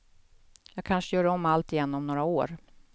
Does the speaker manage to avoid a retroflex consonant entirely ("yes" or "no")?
no